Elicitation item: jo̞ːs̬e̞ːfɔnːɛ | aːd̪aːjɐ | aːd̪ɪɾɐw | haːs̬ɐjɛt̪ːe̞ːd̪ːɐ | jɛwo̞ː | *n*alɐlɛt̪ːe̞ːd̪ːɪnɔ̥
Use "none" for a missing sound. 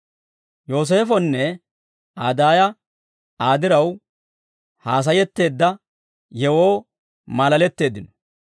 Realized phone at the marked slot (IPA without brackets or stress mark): m